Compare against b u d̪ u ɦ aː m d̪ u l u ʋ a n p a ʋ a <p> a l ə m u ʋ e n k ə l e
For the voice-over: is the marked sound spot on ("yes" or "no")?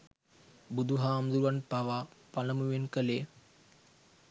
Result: yes